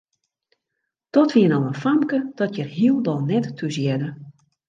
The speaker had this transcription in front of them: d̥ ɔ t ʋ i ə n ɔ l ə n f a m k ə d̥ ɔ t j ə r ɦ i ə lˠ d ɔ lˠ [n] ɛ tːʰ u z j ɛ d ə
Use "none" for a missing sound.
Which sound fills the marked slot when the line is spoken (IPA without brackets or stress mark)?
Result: n